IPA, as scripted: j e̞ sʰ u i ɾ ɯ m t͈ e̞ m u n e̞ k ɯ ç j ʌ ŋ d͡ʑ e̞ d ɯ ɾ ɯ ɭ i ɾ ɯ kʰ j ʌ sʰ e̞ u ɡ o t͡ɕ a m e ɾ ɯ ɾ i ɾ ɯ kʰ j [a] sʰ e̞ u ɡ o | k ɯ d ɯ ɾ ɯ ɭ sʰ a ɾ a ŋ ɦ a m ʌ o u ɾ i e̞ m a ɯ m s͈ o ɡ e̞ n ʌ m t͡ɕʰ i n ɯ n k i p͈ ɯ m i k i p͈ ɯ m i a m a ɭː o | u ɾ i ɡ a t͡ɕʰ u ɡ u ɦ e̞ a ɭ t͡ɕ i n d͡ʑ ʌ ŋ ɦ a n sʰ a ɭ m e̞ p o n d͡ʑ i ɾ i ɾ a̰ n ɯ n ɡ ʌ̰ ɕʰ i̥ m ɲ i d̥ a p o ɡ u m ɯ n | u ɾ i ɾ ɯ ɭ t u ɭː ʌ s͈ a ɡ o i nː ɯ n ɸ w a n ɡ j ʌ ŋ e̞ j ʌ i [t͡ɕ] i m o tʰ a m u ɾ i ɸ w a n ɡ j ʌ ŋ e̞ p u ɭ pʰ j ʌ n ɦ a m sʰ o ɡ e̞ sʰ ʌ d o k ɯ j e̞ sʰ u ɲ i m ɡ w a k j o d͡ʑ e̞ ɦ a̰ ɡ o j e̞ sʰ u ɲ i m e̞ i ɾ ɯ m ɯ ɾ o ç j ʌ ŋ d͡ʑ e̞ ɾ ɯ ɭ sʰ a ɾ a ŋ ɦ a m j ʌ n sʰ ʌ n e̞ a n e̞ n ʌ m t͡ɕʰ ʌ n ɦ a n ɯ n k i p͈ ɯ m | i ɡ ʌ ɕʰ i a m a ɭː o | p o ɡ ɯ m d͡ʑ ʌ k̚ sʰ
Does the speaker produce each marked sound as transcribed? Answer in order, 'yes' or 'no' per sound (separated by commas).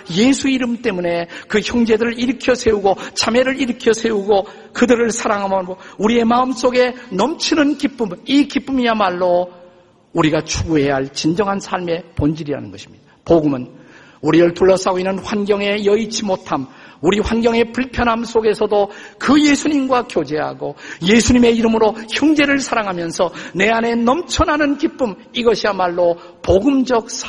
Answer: no, no